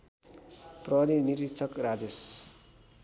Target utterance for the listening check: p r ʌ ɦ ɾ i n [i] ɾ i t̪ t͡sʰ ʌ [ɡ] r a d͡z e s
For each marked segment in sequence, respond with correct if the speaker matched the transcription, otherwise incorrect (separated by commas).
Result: correct, incorrect